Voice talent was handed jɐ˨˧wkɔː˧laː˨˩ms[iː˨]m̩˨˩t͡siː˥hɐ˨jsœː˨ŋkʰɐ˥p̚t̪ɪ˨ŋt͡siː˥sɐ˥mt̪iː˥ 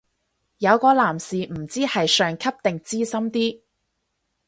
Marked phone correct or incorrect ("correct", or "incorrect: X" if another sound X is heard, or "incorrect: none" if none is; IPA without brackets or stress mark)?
correct